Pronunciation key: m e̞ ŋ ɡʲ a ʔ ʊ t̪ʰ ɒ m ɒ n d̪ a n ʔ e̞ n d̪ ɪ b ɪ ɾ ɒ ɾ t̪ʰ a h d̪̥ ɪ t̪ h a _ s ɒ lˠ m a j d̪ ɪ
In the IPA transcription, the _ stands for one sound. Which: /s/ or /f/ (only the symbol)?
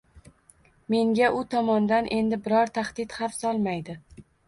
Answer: f